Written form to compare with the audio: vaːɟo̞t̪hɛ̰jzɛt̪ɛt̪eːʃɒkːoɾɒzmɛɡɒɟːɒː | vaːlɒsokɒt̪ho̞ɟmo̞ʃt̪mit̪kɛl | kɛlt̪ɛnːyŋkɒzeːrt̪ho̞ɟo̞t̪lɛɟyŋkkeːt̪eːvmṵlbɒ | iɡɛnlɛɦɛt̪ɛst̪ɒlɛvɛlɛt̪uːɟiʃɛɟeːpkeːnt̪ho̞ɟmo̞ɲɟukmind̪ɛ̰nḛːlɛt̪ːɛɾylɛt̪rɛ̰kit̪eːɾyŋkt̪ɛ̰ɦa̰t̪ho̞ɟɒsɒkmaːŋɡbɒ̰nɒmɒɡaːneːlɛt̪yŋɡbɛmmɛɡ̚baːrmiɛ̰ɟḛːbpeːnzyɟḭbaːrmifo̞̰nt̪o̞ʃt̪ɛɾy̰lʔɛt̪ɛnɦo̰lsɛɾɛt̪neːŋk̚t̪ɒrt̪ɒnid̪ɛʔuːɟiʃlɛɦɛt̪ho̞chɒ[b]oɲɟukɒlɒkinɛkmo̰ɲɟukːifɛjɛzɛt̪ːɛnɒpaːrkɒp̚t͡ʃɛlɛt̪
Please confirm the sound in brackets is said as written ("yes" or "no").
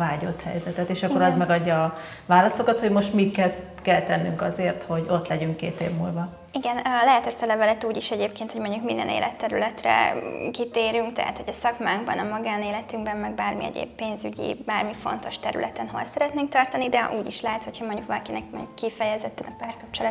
no